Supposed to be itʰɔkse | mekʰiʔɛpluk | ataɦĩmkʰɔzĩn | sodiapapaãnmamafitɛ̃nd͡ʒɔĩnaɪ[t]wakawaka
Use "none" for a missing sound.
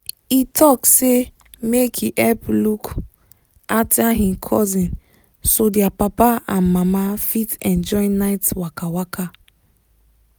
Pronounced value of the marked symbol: t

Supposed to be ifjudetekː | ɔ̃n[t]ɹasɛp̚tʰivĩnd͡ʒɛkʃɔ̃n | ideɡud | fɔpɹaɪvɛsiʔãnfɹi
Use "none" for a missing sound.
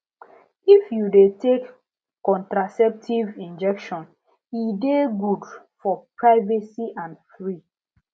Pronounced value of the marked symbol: t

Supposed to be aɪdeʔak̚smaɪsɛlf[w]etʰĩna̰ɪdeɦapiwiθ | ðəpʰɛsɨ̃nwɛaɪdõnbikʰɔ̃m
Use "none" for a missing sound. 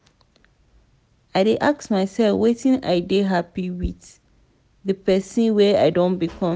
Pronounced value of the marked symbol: w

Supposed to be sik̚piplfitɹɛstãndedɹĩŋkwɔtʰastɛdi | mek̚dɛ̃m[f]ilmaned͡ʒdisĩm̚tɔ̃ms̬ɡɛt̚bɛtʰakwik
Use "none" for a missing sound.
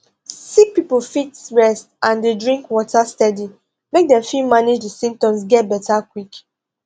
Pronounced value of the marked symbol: f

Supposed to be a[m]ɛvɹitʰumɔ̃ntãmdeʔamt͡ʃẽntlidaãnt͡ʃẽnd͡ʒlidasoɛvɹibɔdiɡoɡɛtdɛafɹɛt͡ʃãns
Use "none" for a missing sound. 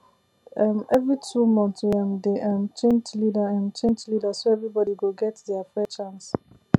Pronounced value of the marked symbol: m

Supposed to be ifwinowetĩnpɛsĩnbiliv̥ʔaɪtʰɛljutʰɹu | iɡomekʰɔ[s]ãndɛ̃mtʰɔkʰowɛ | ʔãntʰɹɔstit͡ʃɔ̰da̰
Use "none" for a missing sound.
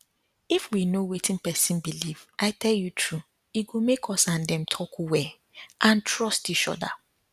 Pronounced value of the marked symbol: s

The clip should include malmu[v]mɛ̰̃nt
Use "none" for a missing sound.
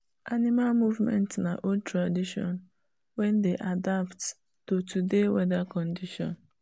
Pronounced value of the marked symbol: v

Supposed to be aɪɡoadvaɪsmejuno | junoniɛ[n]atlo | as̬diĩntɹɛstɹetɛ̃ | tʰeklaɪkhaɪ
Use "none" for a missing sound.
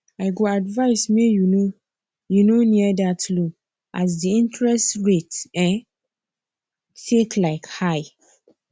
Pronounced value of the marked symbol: d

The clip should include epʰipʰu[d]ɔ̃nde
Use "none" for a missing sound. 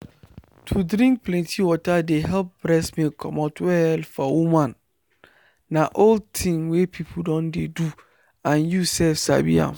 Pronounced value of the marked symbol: d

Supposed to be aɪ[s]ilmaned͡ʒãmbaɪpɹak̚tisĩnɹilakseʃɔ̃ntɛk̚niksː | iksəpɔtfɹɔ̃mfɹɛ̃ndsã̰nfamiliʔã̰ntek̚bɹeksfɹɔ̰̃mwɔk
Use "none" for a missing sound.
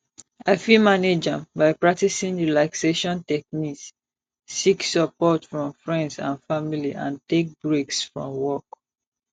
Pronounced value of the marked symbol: f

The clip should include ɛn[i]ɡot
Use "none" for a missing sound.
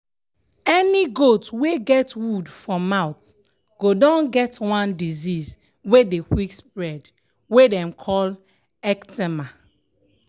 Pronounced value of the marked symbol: i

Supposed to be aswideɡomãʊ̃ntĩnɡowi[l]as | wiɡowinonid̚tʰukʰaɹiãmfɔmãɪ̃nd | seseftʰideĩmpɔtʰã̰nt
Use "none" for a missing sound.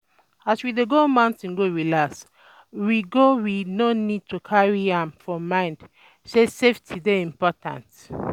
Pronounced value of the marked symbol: l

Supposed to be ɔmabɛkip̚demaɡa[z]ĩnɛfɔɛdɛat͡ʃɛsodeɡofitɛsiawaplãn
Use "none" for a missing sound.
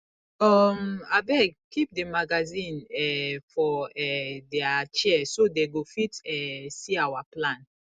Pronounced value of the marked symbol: z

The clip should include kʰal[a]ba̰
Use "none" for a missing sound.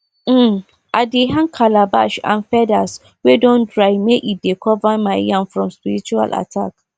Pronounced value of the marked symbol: a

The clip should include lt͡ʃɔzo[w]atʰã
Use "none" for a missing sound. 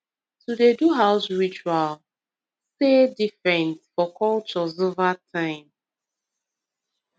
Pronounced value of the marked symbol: v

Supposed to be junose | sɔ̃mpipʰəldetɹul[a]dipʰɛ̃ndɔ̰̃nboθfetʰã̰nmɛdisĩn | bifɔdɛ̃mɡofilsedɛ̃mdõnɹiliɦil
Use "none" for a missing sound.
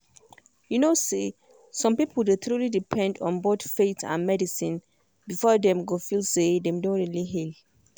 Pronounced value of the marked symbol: i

